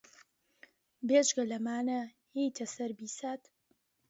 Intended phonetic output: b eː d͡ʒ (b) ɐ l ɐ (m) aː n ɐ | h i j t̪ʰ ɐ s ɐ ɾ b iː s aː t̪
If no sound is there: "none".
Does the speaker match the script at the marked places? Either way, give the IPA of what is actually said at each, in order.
ɡ, m

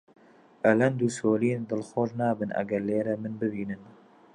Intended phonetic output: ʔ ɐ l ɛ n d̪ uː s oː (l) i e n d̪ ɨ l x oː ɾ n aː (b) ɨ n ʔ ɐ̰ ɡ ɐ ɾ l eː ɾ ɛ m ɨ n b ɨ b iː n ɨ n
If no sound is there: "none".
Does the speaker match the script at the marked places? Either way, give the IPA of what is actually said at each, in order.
l, b

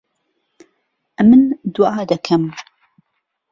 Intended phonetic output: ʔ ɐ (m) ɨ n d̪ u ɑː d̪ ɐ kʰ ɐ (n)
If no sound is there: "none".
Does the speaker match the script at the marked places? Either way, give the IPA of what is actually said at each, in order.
m, m

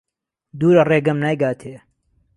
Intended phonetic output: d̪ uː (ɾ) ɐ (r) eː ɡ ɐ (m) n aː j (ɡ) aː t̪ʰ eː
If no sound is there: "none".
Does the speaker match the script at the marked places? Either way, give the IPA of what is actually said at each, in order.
ɾ, r, m, ɡ

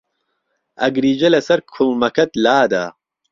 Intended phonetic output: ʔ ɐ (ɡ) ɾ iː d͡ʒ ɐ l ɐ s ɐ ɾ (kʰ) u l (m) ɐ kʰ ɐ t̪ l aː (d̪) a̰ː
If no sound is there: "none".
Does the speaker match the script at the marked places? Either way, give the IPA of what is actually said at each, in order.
ɡ, kʰ, m, d̪

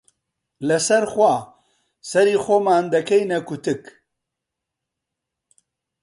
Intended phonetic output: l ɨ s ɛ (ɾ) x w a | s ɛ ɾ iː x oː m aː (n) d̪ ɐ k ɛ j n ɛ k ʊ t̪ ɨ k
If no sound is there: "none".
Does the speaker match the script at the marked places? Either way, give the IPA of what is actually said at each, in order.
ɾ, n

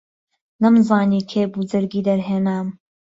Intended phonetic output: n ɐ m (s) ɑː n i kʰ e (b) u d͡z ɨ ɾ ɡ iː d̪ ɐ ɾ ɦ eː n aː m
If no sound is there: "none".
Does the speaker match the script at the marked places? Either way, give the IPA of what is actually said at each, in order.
z, b

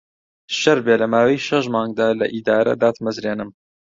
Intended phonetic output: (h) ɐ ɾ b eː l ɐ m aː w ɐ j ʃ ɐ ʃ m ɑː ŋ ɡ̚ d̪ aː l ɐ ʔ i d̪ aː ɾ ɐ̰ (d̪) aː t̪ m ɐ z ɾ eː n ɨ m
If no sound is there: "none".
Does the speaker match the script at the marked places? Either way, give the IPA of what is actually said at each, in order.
ʃ, d̪

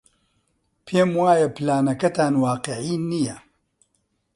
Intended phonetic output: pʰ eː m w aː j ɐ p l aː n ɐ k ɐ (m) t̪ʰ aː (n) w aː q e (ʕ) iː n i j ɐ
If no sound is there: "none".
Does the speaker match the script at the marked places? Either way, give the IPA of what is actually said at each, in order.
none, n, ʕ

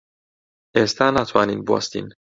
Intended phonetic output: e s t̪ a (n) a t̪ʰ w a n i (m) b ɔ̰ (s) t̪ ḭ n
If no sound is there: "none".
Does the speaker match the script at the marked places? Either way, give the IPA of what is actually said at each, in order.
n, n, s

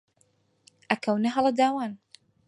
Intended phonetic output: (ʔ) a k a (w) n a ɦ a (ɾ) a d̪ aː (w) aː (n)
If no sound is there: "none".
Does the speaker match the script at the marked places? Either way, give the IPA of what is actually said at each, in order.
ʔ, w, l, w, n

